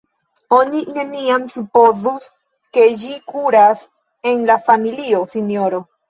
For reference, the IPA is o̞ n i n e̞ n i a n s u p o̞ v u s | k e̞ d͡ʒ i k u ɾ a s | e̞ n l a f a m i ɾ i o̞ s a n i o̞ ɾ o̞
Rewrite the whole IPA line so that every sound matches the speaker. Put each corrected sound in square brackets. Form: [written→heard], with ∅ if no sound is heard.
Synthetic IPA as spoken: o̞ n i n e̞ n i a [n→m] s u p o̞ [v→z] u s | k e̞ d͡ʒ i k u ɾ a s | e̞ n l a f a m i [ɾ→l] i o̞ s [a→i] n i o̞ ɾ o̞